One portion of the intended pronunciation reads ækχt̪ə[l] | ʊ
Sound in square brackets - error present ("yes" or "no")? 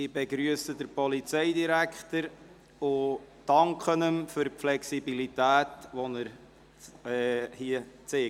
yes